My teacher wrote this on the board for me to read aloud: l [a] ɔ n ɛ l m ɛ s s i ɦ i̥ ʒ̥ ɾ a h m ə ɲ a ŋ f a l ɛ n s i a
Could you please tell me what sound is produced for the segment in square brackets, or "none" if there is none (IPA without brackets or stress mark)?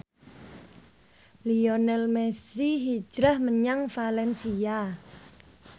i